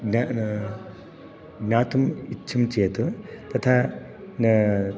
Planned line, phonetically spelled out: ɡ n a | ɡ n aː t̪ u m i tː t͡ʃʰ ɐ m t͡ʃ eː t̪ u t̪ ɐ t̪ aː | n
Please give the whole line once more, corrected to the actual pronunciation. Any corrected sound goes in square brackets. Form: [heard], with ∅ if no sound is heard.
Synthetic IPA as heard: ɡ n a | ɡ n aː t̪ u m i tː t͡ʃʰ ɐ m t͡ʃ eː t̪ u t̪ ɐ [t̪ʰ] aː | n